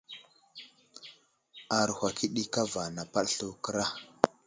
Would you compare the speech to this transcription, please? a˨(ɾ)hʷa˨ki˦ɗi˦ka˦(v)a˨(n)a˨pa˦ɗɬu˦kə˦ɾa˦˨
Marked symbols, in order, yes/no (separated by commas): yes, yes, yes